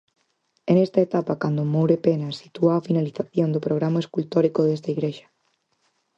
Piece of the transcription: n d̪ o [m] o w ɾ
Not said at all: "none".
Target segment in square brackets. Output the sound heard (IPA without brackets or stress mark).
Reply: m